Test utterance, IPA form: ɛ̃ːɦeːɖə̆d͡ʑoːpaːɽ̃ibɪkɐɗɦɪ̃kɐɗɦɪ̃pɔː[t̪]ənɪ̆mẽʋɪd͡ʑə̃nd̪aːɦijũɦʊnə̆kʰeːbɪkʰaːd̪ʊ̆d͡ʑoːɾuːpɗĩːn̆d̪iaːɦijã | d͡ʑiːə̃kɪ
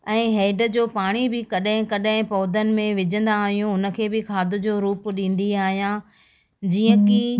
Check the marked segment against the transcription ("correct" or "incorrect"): incorrect